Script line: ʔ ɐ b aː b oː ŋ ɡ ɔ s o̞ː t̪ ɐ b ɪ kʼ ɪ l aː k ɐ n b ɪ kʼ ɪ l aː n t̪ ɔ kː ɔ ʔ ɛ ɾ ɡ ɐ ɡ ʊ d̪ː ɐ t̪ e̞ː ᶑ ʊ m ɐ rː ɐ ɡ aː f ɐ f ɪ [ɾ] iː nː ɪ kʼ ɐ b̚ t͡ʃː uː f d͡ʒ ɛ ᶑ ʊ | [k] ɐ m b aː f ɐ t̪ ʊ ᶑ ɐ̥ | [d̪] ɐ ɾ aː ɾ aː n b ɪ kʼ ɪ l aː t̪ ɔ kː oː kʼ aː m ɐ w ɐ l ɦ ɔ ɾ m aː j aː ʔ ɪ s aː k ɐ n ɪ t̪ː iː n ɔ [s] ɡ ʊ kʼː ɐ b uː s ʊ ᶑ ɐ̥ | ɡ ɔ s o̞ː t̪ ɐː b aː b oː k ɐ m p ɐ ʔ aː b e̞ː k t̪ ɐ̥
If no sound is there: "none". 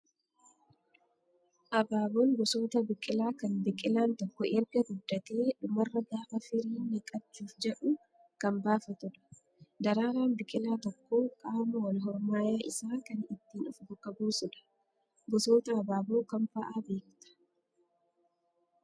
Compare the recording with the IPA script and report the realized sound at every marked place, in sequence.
ɾ, k, d̪, f

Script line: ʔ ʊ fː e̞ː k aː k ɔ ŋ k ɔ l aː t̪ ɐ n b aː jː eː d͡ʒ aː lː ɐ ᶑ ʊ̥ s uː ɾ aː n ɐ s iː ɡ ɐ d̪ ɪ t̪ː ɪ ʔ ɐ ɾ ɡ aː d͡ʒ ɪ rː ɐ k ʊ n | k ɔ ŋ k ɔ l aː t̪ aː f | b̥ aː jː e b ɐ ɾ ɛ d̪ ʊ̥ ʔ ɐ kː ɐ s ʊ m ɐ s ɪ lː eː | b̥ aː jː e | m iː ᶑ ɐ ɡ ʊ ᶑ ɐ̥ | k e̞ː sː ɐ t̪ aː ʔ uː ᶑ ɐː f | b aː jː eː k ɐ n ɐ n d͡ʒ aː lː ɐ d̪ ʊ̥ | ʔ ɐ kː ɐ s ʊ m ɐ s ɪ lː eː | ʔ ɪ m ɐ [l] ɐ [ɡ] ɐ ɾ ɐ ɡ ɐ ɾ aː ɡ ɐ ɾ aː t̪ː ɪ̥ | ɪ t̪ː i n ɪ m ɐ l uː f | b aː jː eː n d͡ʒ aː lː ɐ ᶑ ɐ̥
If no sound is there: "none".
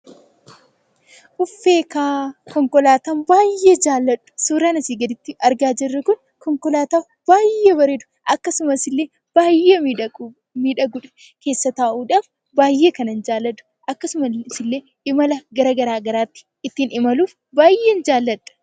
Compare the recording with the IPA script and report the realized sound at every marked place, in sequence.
l, ɡ

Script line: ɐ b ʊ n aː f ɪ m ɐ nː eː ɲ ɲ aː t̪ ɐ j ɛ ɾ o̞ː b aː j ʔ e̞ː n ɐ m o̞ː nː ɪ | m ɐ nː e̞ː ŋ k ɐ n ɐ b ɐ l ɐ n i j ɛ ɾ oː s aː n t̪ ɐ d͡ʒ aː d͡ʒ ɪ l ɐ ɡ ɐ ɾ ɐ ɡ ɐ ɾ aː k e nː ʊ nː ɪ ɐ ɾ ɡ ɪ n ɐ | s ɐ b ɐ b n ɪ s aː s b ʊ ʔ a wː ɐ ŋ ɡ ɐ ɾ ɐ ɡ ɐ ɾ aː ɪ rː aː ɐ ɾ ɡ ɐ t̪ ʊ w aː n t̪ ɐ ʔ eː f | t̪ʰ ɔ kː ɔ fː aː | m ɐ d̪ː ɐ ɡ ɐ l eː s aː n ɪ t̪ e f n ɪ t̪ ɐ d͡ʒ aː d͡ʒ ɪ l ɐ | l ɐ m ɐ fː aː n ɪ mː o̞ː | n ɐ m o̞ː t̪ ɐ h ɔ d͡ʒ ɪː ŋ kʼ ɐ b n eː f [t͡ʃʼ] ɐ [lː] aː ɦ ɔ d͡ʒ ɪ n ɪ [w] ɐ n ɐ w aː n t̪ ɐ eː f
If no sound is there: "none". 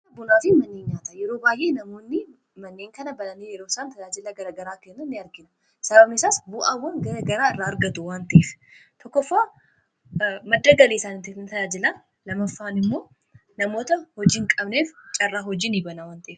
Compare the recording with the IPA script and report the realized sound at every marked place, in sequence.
t͡ʃʼ, rː, b

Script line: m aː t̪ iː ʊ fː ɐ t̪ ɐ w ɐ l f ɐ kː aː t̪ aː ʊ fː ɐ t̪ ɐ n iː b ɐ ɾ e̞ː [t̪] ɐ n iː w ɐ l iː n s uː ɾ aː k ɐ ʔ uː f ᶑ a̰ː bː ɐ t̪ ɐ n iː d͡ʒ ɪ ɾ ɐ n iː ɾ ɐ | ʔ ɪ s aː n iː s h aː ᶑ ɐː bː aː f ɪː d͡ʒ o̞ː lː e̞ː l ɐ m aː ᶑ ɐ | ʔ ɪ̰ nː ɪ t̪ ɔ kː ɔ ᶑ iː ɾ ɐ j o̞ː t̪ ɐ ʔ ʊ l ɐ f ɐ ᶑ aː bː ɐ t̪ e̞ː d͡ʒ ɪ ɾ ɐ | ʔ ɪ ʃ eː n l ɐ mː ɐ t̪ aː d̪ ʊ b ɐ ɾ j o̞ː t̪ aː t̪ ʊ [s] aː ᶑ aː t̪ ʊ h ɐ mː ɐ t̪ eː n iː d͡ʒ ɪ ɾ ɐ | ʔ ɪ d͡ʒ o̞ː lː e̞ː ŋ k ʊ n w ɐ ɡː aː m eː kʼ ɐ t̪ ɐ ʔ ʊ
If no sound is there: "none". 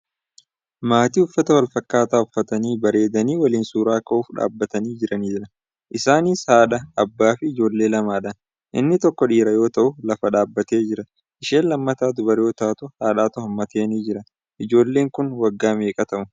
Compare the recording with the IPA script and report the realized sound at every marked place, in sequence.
d̪, h

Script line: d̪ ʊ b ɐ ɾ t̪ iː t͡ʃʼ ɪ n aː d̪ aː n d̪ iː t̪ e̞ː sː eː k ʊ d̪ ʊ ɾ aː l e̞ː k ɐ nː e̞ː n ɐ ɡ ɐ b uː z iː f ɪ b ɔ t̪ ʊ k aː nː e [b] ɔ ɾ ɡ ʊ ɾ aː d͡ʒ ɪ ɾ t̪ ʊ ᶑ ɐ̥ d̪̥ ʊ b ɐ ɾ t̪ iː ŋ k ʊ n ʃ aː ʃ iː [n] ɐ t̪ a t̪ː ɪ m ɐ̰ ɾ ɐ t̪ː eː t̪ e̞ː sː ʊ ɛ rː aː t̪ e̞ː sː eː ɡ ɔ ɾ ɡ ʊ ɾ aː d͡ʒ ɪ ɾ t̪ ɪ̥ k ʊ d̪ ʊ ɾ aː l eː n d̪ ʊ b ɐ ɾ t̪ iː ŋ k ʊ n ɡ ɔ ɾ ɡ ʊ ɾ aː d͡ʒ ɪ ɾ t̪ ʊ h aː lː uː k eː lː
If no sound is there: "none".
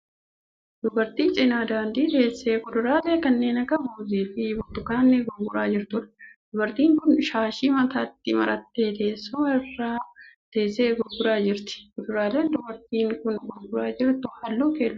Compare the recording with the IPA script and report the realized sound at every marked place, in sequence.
ɡ, m

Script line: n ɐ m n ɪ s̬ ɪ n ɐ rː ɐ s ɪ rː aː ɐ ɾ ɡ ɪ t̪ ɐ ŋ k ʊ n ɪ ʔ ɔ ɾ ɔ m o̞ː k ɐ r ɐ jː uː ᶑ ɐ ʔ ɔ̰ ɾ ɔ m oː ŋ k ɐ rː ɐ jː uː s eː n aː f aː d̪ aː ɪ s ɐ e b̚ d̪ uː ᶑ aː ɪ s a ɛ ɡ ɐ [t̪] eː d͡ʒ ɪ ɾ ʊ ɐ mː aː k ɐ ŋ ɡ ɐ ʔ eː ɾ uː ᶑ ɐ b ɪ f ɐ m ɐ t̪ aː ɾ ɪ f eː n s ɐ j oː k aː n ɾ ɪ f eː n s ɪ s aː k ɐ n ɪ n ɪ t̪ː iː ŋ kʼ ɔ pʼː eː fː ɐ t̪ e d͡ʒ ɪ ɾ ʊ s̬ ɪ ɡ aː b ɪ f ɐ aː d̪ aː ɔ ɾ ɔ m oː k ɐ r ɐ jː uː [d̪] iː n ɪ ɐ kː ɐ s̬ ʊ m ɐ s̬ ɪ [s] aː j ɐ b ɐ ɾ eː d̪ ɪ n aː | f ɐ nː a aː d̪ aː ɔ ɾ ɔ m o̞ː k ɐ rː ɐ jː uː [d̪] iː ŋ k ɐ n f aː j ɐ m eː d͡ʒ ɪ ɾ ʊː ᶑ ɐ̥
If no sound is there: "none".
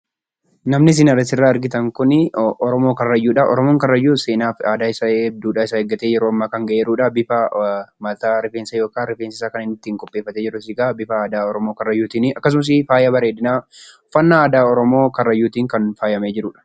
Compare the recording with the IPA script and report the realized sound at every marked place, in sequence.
t̪, t̪, f, t̪

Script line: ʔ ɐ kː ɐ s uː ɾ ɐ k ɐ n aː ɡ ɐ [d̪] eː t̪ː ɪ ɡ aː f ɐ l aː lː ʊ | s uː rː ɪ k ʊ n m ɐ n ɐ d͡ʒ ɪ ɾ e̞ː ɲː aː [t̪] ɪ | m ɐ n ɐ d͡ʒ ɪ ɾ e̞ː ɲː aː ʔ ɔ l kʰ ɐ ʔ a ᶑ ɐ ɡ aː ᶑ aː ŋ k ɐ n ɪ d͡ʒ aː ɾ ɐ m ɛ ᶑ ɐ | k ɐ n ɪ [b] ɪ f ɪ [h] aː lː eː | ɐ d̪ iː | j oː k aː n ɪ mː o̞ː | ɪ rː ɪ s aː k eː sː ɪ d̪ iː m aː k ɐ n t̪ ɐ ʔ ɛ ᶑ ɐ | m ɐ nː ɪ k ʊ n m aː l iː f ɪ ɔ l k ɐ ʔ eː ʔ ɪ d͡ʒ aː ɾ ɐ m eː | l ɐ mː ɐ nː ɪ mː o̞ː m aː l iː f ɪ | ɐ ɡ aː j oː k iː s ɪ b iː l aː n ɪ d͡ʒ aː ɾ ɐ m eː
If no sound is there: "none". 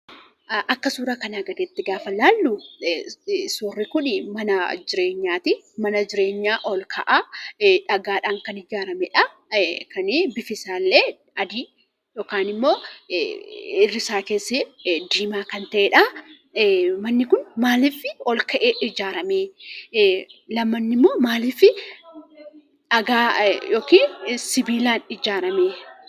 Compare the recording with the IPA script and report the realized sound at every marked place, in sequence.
d̪, t̪, b, s

